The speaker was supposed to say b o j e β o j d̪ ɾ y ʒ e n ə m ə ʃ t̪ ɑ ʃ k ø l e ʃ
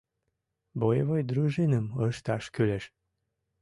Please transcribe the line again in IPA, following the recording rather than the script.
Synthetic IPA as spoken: b o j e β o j d̪ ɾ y ʒ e n ə m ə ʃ t̪ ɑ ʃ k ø l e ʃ